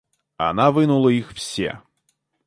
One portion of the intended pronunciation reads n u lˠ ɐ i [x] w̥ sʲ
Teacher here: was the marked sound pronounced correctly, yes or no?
yes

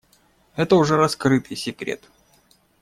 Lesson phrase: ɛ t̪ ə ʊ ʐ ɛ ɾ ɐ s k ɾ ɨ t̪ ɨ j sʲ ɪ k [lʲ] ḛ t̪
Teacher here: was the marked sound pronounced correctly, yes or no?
no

